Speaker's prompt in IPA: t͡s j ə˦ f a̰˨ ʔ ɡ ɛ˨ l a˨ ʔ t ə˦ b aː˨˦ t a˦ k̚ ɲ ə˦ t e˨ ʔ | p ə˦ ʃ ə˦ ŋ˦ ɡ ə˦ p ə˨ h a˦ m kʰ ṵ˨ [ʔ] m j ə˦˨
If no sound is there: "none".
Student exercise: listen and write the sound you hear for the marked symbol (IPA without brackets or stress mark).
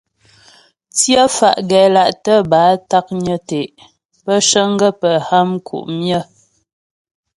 ʔ